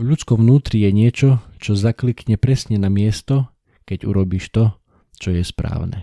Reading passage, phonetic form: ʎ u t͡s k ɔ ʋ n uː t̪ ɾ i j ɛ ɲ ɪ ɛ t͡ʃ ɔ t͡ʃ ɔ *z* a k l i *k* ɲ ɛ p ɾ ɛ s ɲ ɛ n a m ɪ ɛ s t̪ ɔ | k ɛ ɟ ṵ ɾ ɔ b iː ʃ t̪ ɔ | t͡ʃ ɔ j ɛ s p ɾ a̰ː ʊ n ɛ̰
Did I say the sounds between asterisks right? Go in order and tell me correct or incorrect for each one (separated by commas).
correct, correct